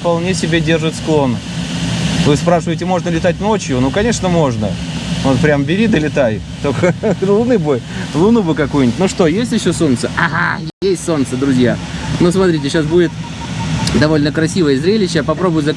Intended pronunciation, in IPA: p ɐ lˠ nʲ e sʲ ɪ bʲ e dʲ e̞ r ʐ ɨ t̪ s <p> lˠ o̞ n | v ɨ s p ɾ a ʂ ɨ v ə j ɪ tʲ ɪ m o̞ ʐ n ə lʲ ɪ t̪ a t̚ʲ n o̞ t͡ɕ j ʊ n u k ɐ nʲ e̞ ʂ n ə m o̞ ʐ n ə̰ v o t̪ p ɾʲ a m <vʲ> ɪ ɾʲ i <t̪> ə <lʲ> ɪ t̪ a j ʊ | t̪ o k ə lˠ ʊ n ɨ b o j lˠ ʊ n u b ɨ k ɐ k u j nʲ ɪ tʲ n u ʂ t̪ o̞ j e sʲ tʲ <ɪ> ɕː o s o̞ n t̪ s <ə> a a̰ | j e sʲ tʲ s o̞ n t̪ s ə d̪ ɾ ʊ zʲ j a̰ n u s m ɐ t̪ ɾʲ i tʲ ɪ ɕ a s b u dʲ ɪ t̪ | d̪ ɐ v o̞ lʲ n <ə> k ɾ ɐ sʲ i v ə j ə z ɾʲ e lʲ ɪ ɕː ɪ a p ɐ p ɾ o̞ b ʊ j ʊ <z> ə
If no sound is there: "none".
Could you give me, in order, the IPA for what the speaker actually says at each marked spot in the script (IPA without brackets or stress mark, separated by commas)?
k, bʲ, d̪, lʲ, ɪ, ə, ə, z